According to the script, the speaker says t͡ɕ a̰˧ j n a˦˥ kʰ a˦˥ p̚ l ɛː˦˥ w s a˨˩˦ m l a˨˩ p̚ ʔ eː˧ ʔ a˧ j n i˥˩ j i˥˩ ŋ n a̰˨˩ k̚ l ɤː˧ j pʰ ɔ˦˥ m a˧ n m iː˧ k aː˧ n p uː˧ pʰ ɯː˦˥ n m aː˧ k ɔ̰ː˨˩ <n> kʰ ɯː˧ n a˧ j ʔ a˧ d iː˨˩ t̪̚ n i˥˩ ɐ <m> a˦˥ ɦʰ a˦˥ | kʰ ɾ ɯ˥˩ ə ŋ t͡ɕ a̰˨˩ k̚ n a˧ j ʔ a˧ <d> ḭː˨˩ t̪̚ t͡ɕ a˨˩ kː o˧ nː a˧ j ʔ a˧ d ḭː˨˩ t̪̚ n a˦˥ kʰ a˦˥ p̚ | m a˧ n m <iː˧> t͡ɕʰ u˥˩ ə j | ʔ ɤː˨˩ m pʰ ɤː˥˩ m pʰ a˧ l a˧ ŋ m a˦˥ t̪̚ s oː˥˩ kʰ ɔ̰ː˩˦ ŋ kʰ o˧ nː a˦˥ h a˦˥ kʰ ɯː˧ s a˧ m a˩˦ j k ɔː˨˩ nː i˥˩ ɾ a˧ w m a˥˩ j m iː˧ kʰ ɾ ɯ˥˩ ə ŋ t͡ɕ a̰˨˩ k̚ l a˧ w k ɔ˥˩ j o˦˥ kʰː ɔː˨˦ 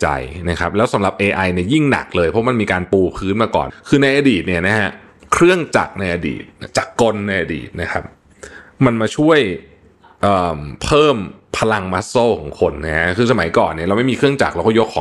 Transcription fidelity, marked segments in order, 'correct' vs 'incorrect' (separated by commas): correct, incorrect, correct, incorrect